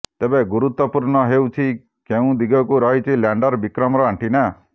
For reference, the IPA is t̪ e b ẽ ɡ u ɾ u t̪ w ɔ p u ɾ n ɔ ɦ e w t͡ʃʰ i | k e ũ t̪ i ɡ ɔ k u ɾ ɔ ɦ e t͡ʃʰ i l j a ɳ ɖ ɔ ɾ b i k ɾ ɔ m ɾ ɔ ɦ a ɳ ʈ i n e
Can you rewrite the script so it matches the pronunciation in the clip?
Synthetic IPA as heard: t̪ e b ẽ ɡ u ɾ u t̪ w ɔ p u ɾ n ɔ ɦ e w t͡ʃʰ i | k e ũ d̪ i ɡ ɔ k u ɾ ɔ ɦ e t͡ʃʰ i l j a ɳ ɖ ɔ ɾ b i k ɾ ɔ m ɾ ɔ ɦ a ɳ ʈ i n a